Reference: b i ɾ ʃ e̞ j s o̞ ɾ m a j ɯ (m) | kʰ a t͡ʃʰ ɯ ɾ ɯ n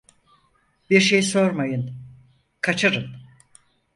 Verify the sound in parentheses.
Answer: incorrect: n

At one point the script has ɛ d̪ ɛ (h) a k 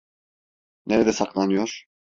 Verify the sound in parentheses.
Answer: incorrect: s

